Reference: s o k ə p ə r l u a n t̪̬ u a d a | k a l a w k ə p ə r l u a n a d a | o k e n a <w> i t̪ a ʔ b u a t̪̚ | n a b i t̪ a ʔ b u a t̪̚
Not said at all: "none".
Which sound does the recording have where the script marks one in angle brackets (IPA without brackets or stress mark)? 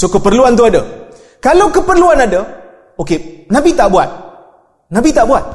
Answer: b